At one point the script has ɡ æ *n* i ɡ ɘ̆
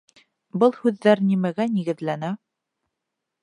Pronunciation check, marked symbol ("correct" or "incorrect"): correct